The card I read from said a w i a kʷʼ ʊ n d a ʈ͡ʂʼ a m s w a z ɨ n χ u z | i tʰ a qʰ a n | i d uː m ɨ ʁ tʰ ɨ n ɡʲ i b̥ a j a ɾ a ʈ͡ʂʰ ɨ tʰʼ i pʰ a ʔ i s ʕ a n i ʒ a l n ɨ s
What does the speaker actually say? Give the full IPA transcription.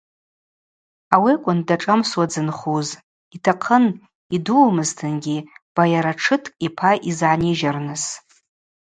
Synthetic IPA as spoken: a w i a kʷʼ ʊ n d a ʈ͡ʂʼ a m s w a d͡z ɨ n χ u z | i tʰ a qʰ ə n | i d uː m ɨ z tʰ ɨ n ɡʲ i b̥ a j a ɾ a ʈ͡ʂʰ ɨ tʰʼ i pʰ a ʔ i z ʕ a n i ʒ a r n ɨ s